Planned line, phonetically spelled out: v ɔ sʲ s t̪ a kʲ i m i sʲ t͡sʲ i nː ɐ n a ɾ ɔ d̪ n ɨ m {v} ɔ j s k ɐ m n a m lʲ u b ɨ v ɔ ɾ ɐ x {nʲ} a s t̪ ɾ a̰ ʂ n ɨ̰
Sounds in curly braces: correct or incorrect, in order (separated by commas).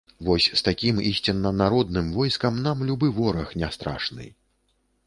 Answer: correct, correct